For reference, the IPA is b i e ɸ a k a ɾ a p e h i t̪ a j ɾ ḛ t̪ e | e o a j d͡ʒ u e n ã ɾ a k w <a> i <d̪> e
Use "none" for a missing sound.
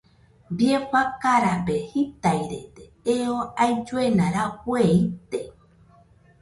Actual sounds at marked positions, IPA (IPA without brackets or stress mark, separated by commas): e, t̪